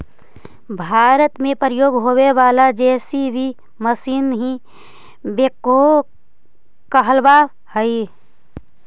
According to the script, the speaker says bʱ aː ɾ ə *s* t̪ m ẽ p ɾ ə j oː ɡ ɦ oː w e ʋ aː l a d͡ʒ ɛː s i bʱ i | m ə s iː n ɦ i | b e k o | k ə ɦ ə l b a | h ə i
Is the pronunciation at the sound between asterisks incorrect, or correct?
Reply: incorrect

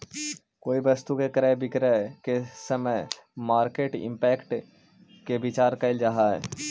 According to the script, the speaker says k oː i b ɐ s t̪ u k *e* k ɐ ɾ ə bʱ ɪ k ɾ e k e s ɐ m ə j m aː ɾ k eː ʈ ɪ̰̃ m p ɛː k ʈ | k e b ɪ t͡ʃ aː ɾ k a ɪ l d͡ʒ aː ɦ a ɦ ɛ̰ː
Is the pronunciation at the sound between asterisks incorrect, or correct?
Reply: correct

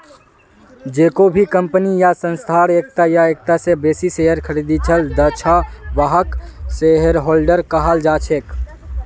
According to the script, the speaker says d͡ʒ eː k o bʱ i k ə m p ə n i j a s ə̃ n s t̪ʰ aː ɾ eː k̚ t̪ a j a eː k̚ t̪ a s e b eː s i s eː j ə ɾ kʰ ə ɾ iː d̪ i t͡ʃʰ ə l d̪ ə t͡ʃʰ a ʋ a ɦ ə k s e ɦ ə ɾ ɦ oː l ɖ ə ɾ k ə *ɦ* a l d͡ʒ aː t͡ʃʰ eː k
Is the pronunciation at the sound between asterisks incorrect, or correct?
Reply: correct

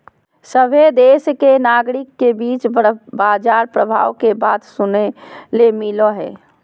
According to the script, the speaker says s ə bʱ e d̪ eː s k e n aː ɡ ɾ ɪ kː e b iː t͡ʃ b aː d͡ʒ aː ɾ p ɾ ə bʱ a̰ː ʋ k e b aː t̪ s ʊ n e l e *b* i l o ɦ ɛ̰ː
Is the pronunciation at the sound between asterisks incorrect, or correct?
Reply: incorrect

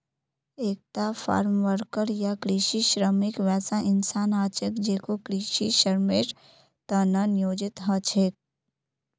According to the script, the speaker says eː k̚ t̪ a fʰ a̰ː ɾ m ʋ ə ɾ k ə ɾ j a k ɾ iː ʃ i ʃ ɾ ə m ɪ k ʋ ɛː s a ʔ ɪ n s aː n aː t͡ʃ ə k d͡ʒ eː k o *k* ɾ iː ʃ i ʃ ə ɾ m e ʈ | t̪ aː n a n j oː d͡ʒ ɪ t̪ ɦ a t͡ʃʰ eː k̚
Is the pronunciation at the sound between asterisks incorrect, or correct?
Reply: correct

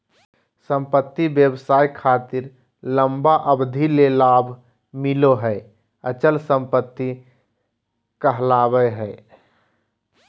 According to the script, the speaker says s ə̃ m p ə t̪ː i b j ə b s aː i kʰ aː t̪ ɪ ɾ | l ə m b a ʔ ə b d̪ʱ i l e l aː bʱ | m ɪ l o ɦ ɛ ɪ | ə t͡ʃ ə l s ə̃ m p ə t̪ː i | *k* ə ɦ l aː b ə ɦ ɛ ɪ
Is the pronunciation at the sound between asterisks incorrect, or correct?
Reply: correct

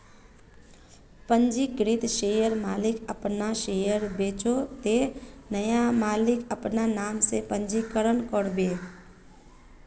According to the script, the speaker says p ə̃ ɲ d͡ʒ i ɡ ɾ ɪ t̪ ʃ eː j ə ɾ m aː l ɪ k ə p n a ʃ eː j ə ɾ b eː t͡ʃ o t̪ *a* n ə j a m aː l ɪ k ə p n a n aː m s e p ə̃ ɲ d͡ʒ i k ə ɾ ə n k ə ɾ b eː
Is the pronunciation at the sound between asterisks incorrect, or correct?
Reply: incorrect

